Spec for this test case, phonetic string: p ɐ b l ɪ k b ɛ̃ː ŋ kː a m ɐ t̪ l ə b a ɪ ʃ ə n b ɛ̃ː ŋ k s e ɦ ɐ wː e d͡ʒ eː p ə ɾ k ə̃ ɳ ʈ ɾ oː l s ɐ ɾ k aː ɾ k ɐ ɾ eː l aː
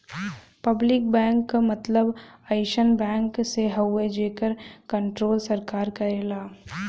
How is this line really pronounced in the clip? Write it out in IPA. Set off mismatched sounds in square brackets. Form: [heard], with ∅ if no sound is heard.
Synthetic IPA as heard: p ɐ b l ɪ k b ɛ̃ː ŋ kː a m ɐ t̪ l ə b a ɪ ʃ ə n b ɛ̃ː ŋ k s e ɦ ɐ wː e d͡ʒ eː [k] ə ɾ k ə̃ ɳ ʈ ɾ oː l s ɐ ɾ k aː ɾ k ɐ ɾ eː l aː